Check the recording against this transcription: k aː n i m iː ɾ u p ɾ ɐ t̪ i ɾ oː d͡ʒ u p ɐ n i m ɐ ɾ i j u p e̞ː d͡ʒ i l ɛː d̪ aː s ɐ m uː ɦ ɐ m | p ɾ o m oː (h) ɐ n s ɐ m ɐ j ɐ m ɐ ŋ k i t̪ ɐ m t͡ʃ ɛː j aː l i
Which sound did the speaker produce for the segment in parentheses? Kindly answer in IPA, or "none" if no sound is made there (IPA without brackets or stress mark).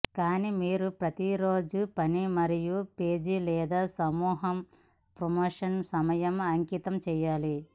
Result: ʂ